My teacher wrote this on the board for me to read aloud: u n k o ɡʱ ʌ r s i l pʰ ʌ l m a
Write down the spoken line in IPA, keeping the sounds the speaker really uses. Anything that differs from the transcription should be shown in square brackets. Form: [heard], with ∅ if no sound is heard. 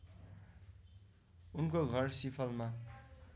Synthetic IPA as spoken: u n k o ɡʱ ʌ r s i [∅] pʰ ʌ l m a